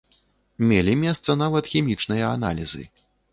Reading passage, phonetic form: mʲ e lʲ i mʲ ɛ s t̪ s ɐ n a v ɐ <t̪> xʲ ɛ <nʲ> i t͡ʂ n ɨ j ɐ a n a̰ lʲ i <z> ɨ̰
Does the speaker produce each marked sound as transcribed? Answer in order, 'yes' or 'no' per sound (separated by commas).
yes, no, yes